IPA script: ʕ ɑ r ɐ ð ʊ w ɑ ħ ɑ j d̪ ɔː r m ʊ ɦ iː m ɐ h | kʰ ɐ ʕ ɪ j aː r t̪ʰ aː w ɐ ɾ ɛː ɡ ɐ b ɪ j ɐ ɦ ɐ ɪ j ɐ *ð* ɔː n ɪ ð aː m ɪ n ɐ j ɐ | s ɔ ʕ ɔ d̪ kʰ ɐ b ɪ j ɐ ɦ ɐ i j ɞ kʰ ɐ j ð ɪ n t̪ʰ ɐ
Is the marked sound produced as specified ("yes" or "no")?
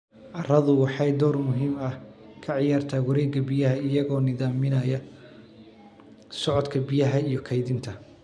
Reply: no